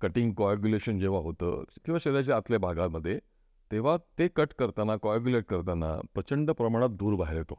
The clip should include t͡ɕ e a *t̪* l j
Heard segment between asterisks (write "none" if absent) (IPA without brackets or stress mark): t̪